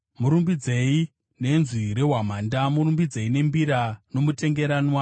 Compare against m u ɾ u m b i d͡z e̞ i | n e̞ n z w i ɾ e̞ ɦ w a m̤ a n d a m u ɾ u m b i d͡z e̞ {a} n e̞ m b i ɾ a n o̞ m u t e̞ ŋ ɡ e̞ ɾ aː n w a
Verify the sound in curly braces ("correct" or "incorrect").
incorrect